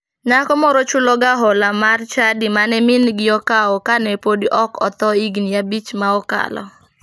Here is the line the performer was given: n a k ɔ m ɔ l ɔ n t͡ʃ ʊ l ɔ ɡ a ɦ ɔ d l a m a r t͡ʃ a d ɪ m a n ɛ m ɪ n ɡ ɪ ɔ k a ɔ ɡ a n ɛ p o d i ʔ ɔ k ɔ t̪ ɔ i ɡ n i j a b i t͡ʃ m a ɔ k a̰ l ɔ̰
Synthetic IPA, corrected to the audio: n a k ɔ m ɔ ɾ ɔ t͡ʃ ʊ l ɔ ɡ a ɦ ɔ l a m a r t͡ʃ a d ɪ m a n ɛ m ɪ n ɡ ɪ ɔ k a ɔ k a n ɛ p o d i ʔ ɔ k ɔ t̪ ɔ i ɡ n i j a b i t͡ʃ m a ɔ k a̰ l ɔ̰